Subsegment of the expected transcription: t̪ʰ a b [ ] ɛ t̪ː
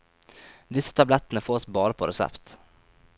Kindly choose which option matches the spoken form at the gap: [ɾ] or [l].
l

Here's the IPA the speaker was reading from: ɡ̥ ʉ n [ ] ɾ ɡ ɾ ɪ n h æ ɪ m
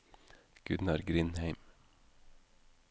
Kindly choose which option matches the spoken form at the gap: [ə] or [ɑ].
ɑ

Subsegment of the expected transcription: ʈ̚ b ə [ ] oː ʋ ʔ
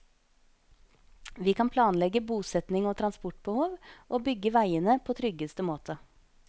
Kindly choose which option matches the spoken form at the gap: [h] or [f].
h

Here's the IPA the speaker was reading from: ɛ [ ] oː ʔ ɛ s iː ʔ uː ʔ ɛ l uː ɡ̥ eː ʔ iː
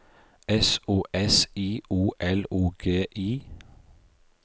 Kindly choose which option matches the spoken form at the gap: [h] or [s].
s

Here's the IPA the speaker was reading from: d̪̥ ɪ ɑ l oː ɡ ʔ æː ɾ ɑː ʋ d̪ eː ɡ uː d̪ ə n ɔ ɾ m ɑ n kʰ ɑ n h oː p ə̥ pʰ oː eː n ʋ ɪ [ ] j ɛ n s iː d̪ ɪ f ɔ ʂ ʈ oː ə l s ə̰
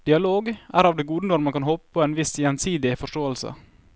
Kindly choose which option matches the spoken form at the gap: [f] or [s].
s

